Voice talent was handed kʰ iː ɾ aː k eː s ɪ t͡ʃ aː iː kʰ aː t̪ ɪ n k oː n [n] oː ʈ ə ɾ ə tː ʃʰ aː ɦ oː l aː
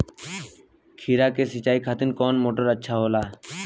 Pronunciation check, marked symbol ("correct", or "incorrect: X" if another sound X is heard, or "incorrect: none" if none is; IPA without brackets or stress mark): incorrect: m